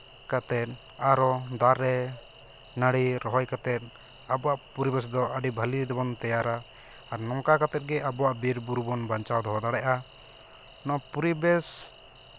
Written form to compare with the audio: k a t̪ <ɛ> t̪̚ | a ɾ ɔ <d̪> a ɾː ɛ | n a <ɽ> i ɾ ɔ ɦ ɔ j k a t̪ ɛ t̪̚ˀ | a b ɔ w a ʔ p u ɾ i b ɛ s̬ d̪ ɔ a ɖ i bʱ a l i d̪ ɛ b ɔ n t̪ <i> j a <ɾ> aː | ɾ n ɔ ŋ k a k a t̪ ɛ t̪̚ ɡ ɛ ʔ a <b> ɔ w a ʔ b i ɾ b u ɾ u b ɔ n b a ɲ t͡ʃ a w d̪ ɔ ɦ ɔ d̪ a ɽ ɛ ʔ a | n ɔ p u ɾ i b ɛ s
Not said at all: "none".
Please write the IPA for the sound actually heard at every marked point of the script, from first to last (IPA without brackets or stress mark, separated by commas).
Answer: ɛ, d̪, ɽ, ɛ, ɾ, b